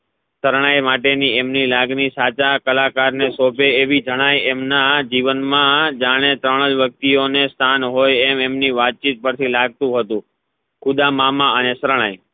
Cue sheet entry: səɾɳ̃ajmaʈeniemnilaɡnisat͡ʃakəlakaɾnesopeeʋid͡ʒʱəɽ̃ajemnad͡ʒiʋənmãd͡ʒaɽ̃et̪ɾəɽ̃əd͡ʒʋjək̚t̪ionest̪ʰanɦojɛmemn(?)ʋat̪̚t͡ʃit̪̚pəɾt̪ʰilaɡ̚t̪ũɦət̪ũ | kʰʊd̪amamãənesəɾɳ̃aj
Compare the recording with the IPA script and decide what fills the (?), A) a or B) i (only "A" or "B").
B